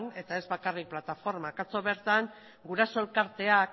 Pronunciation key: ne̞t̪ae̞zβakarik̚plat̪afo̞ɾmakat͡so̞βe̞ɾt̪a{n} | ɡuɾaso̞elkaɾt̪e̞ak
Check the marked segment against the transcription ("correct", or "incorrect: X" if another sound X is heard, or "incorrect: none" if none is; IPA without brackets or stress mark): incorrect: ŋ